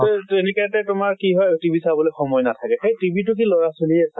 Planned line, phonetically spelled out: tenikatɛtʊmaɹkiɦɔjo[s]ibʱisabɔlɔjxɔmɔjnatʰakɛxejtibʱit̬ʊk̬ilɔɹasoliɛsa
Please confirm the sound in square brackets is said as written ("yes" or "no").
no